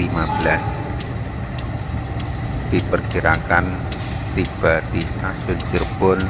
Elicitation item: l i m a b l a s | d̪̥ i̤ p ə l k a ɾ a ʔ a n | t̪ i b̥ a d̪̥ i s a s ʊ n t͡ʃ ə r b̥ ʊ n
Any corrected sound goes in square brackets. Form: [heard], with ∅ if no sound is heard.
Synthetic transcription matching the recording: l i m a b l a s | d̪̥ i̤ p ə [r] k [i] ɾ a [k] a n | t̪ i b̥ a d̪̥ i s a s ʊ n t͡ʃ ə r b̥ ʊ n